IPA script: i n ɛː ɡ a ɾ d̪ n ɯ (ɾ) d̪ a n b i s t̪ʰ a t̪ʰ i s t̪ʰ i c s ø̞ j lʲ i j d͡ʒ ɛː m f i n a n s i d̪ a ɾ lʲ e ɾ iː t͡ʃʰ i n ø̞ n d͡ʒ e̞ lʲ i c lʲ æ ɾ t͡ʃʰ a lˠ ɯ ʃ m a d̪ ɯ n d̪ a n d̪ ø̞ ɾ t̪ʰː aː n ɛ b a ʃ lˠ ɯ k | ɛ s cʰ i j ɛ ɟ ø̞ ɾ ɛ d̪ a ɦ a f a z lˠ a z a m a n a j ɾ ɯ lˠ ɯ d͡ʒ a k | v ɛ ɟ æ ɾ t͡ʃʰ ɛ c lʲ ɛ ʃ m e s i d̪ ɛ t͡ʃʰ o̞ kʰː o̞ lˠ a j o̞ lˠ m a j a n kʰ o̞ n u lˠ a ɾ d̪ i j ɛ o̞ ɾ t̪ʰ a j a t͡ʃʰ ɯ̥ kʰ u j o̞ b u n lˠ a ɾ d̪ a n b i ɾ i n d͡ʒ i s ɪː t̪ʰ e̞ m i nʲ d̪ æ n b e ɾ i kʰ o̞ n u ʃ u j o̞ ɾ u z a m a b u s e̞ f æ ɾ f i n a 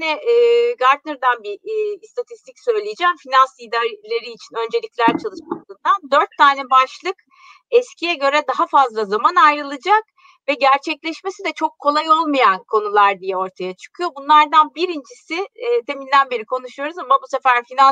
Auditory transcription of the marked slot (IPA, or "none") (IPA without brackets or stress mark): ɾ